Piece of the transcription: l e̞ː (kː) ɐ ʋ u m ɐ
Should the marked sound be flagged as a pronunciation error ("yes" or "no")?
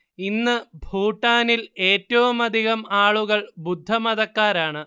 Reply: yes